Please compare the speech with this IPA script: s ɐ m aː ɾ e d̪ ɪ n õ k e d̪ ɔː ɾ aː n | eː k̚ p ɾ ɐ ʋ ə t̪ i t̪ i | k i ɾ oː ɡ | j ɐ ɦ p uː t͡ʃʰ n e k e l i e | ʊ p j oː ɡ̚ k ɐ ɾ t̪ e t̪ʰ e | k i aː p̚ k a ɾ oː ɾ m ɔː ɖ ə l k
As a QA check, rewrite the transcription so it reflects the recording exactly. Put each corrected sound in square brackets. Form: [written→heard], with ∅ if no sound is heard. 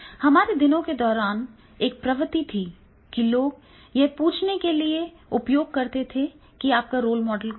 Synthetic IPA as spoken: [s→h] ɐ m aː ɾ e d̪ ɪ n õ k e d̪ ɔː ɾ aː n | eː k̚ p ɾ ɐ ʋ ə t̪ i [t̪→t̪ʰ] i | k i [ɾ→l] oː ɡ | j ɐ ɦ p uː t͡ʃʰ n e k e l i e | ʊ p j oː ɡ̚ k ɐ ɾ t̪ e t̪ʰ e | k i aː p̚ k a ɾ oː [ɾ→l] m ɔː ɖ ə l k

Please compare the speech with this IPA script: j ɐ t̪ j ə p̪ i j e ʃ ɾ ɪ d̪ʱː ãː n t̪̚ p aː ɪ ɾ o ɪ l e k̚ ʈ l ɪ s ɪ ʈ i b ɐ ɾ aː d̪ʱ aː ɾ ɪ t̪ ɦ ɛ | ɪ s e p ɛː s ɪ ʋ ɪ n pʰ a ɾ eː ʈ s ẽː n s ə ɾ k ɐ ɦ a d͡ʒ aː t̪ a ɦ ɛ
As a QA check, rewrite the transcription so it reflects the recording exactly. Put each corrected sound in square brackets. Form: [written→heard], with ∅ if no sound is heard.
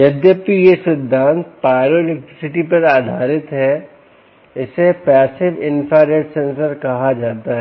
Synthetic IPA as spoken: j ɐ [t̪→d̪] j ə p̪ i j e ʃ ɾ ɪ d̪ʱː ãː n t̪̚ p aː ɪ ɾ o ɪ l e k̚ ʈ [l→ɾ] ɪ s ɪ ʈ i [b→p] ɐ ɾ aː d̪ʱ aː ɾ ɪ t̪ ɦ ɛ | ɪ s e p ɛː s ɪ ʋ ɪ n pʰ a ɾ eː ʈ s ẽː n s ə ɾ k ɐ ɦ a d͡ʒ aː t̪ a ɦ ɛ

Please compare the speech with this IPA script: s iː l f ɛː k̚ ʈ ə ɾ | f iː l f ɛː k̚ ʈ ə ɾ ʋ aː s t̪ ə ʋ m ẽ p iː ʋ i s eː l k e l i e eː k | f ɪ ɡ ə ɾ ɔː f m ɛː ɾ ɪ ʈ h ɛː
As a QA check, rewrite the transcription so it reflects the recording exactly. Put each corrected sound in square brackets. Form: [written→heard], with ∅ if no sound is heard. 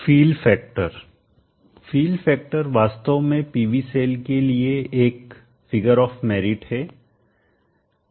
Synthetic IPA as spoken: [s→f] iː l f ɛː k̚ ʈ ə ɾ | f iː l f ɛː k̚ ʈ ə ɾ ʋ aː s t̪ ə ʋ m ẽ p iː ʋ i s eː l k e l i e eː k | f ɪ ɡ ə ɾ ɔː f m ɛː ɾ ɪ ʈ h ɛː

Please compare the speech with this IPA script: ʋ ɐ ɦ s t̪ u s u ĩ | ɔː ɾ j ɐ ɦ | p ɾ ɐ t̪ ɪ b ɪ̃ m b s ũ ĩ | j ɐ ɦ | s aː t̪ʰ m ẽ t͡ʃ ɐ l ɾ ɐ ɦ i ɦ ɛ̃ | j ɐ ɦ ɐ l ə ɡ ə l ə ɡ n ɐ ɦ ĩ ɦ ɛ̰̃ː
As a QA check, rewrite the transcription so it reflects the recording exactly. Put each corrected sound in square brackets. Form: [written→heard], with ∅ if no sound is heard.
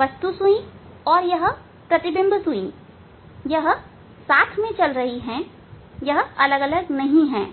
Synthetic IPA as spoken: ʋ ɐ [ɦ→∅] s t̪ u s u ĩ | ɔː ɾ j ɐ ɦ | p ɾ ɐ t̪ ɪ b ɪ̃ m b s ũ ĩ | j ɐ ɦ | s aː t̪ʰ m ẽ t͡ʃ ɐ l ɾ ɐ ɦ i ɦ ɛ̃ | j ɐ ɦ ɐ l ə ɡ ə l ə ɡ n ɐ ɦ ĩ ɦ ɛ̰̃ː

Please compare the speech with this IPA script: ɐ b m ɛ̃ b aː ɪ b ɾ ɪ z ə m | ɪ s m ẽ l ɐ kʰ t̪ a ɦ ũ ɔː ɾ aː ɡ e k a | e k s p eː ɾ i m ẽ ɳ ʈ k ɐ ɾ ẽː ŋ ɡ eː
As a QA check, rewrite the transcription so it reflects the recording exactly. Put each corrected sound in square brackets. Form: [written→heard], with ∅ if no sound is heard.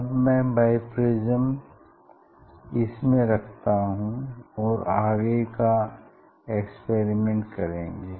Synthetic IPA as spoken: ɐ b m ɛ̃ b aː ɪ [b→p] ɾ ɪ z ə m | ɪ s m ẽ [l→ɾ] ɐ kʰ t̪ a ɦ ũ ɔː ɾ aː ɡ e k a | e k s p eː ɾ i m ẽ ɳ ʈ k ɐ ɾ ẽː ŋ ɡ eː

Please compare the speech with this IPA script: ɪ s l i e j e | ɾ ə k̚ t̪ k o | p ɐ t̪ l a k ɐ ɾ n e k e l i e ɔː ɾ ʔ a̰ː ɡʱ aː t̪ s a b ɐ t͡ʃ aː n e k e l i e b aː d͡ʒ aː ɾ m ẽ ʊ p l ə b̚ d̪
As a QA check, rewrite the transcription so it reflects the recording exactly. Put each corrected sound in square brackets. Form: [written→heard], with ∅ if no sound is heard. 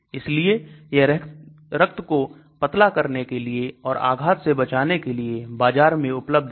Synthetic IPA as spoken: ɪ s l i e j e | ɾ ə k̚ t̪ k o | p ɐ t̪ l a k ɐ ɾ n e k e l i e ɔː ɾ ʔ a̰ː ɡʱ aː t̪ s [a→e] b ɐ t͡ʃ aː n e k e l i e b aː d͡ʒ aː ɾ m ẽ ʊ p l ə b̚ d̪

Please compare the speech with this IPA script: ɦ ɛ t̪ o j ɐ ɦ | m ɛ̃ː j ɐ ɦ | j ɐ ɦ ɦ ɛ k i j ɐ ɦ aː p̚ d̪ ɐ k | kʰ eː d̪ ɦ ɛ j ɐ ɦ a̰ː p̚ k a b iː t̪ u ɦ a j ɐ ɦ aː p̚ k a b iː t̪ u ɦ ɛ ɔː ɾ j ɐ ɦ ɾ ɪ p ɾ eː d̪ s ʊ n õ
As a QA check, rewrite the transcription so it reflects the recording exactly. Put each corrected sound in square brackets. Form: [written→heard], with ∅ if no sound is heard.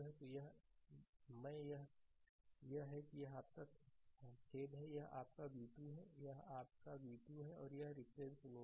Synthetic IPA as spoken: ɦ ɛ t̪ o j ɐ ɦ | m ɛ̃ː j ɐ ɦ | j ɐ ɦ ɦ ɛ k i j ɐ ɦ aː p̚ [d̪→t̪] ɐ k | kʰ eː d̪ ɦ ɛ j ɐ ɦ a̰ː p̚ k a b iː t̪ u ɦ [a→ɛ] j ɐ ɦ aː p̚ k a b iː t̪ u ɦ ɛ ɔː ɾ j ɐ ɦ ɾ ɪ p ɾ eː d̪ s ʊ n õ

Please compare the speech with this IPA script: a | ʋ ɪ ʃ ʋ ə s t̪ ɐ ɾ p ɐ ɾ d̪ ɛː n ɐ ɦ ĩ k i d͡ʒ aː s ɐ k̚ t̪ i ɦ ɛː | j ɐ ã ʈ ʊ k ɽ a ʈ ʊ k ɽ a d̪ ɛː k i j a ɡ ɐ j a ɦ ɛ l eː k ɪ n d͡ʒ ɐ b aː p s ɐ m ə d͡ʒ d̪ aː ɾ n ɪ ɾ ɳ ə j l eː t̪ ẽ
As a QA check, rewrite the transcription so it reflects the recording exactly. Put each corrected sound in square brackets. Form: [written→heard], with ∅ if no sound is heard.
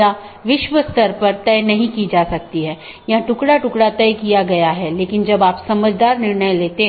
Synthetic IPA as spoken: a | ʋ ɪ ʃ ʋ ə s t̪ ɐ ɾ p ɐ ɾ [d̪→t̪] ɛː n ɐ ɦ ĩ k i d͡ʒ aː s ɐ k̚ t̪ i ɦ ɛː | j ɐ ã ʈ ʊ k ɽ a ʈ ʊ k ɽ a [d̪→t̪] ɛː k i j a ɡ ɐ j a ɦ ɛ l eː k ɪ n d͡ʒ ɐ b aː p s ɐ m ə d͡ʒ d̪ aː ɾ n ɪ ɾ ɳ ə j l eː t̪ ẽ

